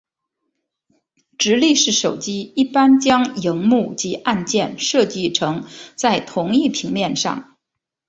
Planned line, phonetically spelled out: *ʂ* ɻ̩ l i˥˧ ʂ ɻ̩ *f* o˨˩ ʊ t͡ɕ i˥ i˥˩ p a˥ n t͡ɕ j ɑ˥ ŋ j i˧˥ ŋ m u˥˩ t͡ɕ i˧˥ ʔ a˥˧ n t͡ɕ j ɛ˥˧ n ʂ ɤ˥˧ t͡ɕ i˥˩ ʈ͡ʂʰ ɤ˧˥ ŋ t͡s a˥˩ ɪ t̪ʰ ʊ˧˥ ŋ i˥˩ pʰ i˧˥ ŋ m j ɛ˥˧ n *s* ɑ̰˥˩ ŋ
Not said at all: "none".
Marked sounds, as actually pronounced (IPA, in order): ʈ͡ʂ, ʂ, ʂ

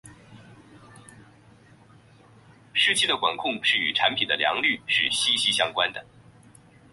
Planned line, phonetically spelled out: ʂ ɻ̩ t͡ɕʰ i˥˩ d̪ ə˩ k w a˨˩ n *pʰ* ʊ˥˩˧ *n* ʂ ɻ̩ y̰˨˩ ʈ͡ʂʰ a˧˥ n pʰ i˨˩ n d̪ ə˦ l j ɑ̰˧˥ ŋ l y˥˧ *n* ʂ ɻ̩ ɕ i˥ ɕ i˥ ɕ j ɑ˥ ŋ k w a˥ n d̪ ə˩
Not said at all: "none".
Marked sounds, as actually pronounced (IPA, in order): kʰ, ŋ, none

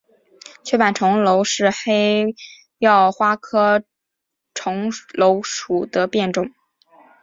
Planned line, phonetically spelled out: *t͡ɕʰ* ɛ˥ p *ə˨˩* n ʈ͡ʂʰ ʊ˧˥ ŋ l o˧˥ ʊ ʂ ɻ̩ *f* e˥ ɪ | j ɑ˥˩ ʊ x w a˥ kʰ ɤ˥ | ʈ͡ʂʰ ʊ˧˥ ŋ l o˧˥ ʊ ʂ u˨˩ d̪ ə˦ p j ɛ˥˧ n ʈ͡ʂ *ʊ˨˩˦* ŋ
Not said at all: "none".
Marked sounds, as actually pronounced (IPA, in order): t͡ɕʰ, a˨˩, x, ʊ˥˩

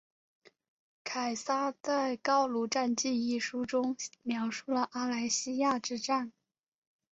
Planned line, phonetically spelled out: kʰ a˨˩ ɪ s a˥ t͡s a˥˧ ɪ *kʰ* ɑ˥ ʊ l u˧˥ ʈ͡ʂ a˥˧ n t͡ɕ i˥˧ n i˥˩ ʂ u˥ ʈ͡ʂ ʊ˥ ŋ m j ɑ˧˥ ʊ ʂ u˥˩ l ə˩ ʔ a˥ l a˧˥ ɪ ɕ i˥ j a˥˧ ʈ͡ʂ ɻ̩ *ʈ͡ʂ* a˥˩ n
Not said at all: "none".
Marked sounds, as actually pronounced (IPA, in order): k, ʈ͡ʂ

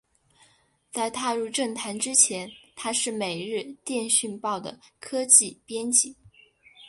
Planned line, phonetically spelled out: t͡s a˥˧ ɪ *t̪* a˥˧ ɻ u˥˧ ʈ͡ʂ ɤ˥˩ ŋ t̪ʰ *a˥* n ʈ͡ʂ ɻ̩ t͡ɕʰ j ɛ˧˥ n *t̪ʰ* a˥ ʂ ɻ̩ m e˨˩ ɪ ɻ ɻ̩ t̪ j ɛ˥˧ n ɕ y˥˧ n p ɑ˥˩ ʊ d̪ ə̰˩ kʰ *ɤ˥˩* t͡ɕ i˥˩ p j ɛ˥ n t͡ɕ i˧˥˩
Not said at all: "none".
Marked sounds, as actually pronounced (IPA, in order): t̪ʰ, a˧˥, t̪ʰ, ɤ˥

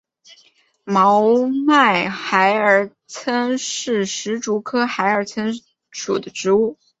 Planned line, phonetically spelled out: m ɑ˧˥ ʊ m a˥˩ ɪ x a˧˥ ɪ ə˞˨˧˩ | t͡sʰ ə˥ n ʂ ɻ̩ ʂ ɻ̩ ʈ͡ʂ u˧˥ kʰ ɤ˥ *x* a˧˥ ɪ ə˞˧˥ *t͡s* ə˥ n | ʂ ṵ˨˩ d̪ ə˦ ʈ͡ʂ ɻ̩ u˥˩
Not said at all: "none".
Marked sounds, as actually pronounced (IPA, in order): x, t͡sʰ

